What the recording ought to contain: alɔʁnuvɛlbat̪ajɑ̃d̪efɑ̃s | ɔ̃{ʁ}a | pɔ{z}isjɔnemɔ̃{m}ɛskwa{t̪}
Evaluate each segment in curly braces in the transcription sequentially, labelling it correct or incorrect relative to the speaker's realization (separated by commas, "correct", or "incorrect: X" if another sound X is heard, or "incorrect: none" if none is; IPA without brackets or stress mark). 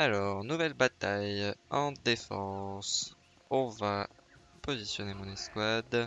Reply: incorrect: v, correct, incorrect: n, incorrect: d̪